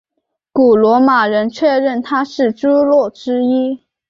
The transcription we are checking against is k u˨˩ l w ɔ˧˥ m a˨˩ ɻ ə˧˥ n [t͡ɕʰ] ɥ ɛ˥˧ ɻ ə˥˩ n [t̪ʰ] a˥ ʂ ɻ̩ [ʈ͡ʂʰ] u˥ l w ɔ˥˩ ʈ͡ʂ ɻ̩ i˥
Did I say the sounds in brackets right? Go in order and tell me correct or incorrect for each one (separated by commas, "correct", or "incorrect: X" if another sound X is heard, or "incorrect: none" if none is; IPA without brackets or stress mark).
correct, correct, incorrect: ʈ͡ʂ